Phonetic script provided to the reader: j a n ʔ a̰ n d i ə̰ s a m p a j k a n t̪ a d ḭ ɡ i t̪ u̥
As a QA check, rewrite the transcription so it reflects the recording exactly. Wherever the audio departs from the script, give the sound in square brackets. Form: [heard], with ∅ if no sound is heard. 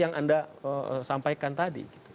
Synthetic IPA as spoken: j a [ŋ] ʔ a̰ n d [a] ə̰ s a m p a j k a n t̪ a d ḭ ɡ i t̪ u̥